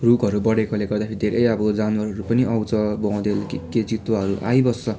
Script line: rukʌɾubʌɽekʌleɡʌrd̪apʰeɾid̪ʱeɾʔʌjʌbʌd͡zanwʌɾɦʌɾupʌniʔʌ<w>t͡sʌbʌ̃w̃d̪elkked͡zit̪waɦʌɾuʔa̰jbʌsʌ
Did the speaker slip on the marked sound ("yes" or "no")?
no